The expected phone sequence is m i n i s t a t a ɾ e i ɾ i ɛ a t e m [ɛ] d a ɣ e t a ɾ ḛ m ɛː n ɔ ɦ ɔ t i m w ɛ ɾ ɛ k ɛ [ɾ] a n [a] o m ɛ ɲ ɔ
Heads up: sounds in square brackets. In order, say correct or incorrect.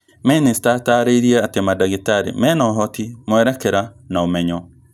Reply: incorrect, correct, correct

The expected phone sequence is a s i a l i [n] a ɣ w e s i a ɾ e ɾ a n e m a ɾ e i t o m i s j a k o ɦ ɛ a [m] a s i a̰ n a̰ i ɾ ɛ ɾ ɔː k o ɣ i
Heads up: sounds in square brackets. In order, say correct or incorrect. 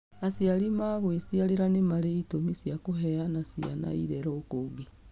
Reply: incorrect, incorrect

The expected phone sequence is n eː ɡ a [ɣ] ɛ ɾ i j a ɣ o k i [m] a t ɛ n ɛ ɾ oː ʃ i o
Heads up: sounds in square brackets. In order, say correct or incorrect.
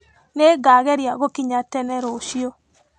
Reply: correct, incorrect

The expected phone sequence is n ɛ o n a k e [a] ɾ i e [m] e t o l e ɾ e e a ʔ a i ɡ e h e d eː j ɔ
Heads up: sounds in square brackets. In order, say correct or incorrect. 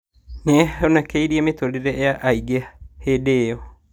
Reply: incorrect, correct

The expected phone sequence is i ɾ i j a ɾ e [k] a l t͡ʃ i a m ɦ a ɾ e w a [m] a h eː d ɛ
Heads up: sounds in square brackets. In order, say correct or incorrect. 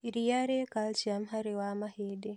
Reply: correct, correct

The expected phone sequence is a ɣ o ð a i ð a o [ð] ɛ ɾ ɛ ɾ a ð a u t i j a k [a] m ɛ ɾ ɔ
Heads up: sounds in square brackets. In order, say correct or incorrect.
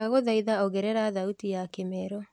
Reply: incorrect, incorrect

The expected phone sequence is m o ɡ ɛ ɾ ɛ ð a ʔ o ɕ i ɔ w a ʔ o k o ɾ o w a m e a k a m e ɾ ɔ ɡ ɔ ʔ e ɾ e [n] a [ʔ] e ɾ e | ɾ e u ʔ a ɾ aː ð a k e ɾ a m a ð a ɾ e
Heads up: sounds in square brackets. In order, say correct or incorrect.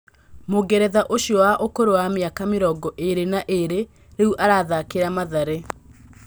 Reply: correct, correct

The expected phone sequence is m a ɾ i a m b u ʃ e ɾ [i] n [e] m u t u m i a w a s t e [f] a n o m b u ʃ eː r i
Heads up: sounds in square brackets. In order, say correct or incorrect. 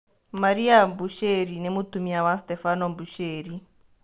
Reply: correct, correct, correct

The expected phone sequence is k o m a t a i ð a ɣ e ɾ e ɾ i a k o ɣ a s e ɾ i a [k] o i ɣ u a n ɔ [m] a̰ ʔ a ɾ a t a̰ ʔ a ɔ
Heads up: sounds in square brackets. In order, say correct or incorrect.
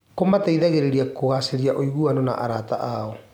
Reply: incorrect, incorrect

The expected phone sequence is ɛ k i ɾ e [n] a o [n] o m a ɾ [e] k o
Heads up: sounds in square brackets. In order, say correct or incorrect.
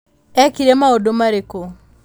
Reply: incorrect, incorrect, correct

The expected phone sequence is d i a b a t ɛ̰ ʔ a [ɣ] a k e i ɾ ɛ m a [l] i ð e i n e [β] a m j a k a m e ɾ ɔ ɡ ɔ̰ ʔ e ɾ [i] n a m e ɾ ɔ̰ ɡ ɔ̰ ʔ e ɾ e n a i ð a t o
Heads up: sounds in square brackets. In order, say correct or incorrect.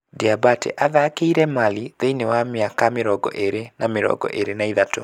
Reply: incorrect, correct, incorrect, incorrect

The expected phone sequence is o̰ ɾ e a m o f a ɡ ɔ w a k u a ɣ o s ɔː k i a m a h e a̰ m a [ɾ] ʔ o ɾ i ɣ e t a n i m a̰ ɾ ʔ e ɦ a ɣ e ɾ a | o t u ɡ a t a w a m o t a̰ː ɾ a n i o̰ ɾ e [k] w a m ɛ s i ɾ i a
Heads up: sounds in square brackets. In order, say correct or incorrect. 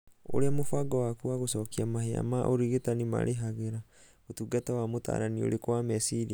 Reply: incorrect, correct

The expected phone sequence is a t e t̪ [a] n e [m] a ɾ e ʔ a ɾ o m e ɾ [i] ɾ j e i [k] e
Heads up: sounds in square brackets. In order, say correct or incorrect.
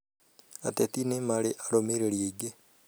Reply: incorrect, correct, incorrect, incorrect

